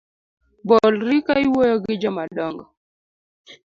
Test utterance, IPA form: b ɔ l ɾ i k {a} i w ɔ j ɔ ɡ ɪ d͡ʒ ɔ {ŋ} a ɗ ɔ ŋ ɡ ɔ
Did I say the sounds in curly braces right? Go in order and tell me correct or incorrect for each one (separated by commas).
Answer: correct, incorrect